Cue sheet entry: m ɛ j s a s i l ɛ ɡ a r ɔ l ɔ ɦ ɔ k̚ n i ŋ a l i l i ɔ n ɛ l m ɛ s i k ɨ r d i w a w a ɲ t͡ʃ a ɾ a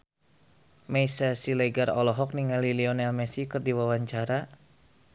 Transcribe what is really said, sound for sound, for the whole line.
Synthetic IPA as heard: m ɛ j s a s i l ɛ ɡ a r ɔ l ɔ ɦ ɔ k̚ n i ŋ a l i l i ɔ n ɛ l m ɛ s i k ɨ r d i w a w a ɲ t͡ʃ a ɾ a